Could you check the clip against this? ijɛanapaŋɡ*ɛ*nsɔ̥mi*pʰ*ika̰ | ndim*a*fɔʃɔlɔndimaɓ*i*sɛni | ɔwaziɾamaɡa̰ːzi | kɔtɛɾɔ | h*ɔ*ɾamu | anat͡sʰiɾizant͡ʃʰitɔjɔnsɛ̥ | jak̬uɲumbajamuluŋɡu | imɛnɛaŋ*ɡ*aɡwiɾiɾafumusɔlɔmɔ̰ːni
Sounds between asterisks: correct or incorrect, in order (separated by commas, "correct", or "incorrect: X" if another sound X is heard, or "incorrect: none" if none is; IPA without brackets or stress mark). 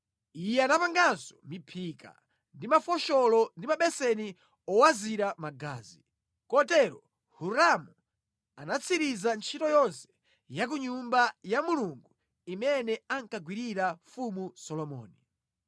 incorrect: a, correct, correct, incorrect: ɛ, incorrect: u, incorrect: k